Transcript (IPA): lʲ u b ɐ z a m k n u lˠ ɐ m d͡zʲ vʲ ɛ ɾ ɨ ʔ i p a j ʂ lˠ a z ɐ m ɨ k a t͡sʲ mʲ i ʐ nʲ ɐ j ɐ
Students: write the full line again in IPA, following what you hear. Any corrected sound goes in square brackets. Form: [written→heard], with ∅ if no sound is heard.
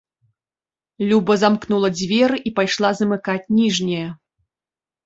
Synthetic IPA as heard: lʲ u b ɐ z a m k n u lˠ ɐ [m→∅] d͡zʲ vʲ ɛ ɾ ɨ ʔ i p a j ʂ lˠ a z ɐ m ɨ k a t͡sʲ [mʲ→nʲ] i ʐ nʲ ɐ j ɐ